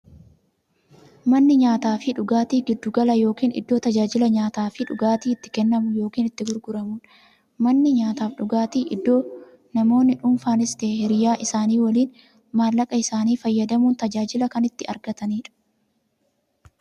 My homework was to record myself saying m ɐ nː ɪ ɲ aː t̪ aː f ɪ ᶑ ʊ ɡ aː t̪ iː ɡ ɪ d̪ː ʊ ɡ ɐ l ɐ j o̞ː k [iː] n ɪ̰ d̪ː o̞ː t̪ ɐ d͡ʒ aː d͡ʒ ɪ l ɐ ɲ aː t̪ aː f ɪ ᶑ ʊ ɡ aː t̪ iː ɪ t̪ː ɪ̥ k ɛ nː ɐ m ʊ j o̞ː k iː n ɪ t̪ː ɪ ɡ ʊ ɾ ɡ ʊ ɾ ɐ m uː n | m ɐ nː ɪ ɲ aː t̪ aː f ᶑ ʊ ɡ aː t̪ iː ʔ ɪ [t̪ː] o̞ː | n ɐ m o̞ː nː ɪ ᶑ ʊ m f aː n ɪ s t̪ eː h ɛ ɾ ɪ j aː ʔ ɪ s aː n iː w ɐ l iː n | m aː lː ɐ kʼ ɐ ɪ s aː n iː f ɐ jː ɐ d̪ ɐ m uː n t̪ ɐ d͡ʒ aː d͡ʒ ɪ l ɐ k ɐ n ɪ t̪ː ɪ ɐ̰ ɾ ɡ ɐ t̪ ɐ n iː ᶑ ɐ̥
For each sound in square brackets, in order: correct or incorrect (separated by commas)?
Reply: correct, incorrect